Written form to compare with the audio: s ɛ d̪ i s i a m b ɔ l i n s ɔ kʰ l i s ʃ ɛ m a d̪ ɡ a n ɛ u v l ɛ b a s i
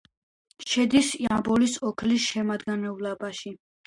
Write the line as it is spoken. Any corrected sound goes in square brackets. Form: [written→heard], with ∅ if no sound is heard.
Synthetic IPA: [s→ʃ] ɛ d̪ i s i a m b ɔ l i [n→∅] s ɔ kʰ l i s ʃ ɛ m a d̪ ɡ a n ɛ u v l [ɛ→a] b a [s→ʃ] i

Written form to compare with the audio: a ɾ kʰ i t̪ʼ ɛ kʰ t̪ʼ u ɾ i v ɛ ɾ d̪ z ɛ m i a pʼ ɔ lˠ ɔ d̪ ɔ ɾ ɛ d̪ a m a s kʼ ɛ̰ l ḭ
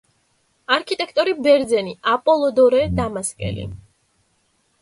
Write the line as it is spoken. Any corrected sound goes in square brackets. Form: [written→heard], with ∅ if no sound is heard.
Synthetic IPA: a ɾ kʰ i t̪ʼ ɛ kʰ t̪ʼ [u→ɔ] ɾ i [v→b] ɛ ɾ d̪ z ɛ [m→n] i a pʼ ɔ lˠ ɔ d̪ ɔ ɾ ɛ d̪ a m a s kʼ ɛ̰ l ḭ

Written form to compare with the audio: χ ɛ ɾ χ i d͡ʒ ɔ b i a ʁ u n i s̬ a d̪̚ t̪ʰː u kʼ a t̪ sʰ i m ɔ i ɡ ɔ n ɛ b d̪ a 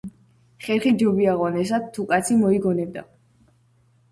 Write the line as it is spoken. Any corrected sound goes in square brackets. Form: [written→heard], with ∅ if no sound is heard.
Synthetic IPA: χ ɛ ɾ χ i d͡ʒ ɔ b i a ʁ [u→ɔ] n [i→ɛ] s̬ a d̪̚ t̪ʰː u kʼ a t̪ sʰ i m ɔ i ɡ ɔ n ɛ b d̪ a

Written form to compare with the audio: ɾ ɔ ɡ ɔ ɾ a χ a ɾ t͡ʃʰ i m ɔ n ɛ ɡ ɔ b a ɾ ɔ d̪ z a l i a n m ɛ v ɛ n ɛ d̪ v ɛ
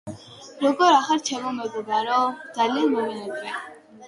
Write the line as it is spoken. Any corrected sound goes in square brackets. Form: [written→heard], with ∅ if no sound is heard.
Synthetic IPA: ɾ ɔ ɡ ɔ ɾ a χ a ɾ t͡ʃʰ [i→ɛ] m ɔ [n→m] ɛ ɡ ɔ b a ɾ ɔ d̪ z a l i a n m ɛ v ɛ n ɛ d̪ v ɛ

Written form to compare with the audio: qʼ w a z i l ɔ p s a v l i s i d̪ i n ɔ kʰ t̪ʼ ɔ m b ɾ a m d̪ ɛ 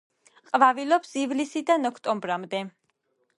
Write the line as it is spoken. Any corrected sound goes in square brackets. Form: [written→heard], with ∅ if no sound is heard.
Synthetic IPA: qʼ [w→v] a [z→v] i l ɔ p s [a→i] v l i s i d̪ [i→a] n ɔ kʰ t̪ʼ ɔ m b ɾ a m d̪ ɛ

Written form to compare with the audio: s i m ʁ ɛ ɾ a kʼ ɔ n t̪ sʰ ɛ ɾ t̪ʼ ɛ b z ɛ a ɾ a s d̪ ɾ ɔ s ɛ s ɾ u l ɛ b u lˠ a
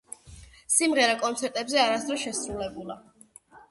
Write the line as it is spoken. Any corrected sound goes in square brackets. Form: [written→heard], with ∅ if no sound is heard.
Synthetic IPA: s i m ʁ ɛ ɾ a kʼ ɔ n t̪ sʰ ɛ ɾ t̪ʼ ɛ b z ɛ a ɾ a s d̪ ɾ ɔ [s→ʃ] ɛ s ɾ u l ɛ b u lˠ a

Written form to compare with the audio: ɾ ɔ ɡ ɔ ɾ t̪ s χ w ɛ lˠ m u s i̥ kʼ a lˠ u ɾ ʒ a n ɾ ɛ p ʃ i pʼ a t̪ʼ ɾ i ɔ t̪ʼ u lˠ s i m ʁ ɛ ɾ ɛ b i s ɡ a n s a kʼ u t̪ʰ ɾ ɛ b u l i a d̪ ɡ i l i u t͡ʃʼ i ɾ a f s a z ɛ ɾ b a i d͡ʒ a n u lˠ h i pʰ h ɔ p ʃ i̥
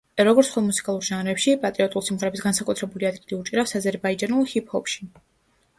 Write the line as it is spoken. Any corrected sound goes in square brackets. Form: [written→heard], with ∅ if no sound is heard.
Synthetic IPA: ɾ ɔ ɡ ɔ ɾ t̪ s χ w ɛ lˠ m u s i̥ kʼ a lˠ u ɾ ʒ a n ɾ ɛ p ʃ i pʼ a t̪ʼ ɾ i ɔ t̪ʼ u lˠ s i m ʁ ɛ ɾ ɛ b i s ɡ a n s a kʼ u t̪ʰ ɾ ɛ b u l i a d̪ ɡ i l i u t͡ʃʼ i ɾ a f s a z ɛ ɾ b a i d͡ʒ a n u lˠ h i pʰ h ɔ p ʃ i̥

